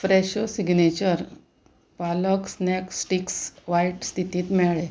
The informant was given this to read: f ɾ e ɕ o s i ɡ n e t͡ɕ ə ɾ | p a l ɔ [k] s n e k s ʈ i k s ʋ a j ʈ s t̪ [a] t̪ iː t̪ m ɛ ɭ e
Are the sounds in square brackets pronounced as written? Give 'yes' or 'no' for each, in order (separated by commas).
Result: yes, no